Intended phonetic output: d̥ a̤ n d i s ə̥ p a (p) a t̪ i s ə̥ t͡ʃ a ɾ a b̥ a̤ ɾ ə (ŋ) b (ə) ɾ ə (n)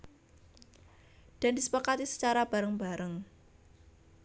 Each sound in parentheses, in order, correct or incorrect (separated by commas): incorrect, correct, incorrect, incorrect